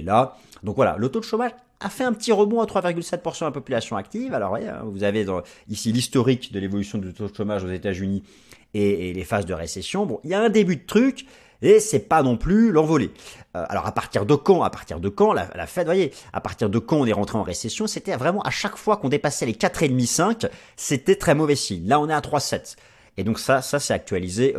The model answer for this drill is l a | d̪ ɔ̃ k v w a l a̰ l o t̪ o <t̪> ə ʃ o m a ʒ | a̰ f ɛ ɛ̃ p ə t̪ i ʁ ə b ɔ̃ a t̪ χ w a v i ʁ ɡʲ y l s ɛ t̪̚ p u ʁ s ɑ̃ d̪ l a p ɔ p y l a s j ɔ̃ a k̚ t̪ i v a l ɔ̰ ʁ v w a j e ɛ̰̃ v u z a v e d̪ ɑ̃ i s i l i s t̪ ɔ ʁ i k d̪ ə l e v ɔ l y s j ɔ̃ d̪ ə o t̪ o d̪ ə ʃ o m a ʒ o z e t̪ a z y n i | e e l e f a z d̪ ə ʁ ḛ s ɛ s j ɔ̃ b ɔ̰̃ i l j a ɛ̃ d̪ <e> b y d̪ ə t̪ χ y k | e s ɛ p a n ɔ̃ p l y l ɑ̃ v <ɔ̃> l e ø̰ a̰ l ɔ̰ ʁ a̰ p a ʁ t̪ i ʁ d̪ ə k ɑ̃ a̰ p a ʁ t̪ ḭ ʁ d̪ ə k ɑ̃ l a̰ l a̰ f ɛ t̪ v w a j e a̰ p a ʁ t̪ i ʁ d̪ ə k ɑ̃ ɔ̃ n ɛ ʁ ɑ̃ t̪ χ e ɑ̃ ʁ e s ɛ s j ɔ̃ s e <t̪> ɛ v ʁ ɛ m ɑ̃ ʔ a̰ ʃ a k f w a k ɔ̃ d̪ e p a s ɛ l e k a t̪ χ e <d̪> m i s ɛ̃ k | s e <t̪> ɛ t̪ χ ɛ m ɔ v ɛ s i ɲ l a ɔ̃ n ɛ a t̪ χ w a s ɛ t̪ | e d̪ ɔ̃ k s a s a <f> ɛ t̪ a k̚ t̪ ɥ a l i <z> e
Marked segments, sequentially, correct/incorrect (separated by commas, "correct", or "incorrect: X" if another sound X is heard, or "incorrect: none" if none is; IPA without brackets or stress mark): incorrect: d̪, correct, incorrect: ɔ, correct, correct, correct, incorrect: s, correct